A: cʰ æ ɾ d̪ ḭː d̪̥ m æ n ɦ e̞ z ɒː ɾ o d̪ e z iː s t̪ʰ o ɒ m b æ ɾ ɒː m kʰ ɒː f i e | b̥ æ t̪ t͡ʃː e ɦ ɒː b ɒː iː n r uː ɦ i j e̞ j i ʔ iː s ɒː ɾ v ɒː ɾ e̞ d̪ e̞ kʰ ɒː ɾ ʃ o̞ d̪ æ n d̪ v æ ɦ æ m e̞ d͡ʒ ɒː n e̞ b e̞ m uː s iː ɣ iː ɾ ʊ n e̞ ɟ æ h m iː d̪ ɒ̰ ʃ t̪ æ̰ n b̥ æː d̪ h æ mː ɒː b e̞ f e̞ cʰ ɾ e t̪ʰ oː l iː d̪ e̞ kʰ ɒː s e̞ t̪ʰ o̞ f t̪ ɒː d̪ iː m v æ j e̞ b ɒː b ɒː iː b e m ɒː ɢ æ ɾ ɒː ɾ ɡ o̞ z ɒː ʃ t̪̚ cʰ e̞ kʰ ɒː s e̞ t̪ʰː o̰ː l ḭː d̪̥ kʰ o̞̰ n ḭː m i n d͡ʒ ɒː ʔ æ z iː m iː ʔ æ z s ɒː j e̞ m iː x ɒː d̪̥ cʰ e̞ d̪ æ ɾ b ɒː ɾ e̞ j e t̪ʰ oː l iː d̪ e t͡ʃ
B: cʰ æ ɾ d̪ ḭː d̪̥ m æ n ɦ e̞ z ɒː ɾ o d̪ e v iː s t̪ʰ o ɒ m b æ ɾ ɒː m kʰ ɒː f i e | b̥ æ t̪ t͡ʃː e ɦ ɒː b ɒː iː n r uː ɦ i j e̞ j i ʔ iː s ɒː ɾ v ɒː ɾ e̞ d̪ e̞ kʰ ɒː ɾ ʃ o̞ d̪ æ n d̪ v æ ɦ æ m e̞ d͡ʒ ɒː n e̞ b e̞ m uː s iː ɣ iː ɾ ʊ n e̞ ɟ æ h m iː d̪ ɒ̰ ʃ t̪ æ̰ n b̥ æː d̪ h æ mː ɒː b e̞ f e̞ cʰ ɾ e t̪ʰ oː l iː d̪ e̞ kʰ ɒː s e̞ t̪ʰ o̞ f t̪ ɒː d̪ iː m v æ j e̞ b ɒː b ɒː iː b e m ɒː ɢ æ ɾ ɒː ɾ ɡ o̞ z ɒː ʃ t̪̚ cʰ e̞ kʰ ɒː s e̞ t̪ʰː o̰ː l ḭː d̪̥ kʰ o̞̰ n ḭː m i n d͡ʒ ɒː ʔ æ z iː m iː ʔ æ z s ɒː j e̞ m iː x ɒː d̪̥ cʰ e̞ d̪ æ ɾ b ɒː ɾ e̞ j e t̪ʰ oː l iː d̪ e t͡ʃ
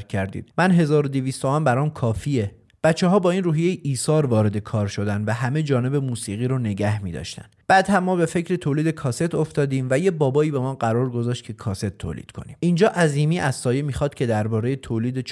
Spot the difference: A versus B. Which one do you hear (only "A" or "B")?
B